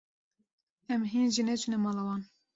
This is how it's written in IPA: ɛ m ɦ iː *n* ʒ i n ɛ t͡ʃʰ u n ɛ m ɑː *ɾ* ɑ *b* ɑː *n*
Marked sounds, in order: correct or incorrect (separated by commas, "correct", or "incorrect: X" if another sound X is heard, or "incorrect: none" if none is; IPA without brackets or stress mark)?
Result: correct, incorrect: l, incorrect: w, correct